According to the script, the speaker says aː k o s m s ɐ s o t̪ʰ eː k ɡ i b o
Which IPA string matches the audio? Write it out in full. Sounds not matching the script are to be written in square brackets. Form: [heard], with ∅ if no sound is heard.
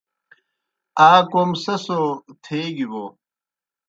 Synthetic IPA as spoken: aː k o [∅] m s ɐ s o t̪ʰ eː [∅] ɡ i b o